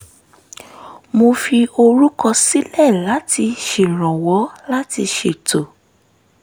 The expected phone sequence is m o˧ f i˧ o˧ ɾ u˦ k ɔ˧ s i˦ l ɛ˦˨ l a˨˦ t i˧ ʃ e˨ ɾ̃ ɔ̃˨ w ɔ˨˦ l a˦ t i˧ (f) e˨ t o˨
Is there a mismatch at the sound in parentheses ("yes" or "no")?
yes